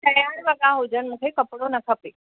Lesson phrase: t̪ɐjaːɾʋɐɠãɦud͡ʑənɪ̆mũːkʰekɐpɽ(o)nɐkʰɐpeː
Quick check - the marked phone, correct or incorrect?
correct